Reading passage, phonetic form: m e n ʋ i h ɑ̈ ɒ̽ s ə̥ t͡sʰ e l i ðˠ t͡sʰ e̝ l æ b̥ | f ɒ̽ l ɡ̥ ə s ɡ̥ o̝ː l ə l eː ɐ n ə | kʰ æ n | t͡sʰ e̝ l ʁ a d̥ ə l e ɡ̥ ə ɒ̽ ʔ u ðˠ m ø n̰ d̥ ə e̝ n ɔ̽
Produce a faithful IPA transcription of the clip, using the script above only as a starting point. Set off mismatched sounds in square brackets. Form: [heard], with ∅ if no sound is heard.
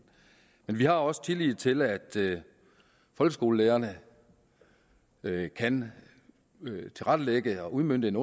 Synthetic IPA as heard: m e n ʋ i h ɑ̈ ɒ̽ s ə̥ t͡sʰ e l i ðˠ t͡sʰ e̝ l æ [d̥] | f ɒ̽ l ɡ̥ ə s ɡ̥ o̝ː l ə l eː ɐ n ə | kʰ æ n | t͡sʰ e̝ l ʁ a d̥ ə l e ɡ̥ ə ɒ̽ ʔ u ðˠ m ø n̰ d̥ ə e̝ n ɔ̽